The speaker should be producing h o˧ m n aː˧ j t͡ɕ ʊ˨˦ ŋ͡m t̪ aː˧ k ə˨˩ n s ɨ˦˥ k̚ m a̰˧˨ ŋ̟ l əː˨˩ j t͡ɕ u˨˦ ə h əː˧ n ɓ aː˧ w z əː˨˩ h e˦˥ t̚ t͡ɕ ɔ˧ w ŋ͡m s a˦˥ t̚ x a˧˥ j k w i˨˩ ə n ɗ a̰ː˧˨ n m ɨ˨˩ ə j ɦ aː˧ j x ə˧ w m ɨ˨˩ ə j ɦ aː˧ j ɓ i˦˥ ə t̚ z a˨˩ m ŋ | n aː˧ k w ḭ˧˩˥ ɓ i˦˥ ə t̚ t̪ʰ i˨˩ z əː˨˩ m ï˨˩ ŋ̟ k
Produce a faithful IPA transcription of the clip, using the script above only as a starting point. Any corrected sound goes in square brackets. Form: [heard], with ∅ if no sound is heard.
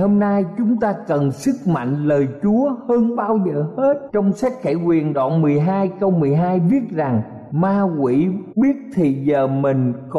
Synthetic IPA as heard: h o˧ m n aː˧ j t͡ɕ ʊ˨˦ ŋ͡m t̪ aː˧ k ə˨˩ n s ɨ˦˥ k̚ m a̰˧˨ ŋ̟ l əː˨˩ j t͡ɕ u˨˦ ə h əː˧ n ɓ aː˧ w z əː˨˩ h e˦˥ t̚ t͡ɕ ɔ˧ w ŋ͡m s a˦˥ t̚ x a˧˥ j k w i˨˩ ə n ɗ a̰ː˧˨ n m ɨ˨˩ ə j ɦ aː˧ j [k] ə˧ w m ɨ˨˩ ə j ɦ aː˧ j ɓ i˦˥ ə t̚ z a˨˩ [∅] ŋ | [m] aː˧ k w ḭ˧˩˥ ɓ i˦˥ ə t̚ t̪ʰ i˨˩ z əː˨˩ m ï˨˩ ŋ̟ k